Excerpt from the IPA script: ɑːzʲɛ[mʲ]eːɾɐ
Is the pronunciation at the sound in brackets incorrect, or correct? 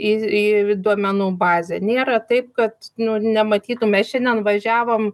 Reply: incorrect